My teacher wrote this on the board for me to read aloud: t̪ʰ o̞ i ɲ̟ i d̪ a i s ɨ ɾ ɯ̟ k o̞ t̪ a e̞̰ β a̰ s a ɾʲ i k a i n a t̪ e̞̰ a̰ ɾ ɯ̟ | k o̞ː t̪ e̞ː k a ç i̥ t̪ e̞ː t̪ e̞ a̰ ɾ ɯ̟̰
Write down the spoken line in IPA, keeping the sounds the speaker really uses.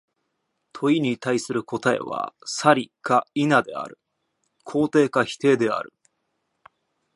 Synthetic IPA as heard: t̪ʰ o̞ i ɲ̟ i t̪ a i s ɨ ɾ ɯ̟ k o̞ t̪ a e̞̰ β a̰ s a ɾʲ i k a i n a d̪ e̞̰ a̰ ɾ ɯ̟ | kʰ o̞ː t̪ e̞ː k a ç i̥ t̪ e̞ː d̪ e̞ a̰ ɾ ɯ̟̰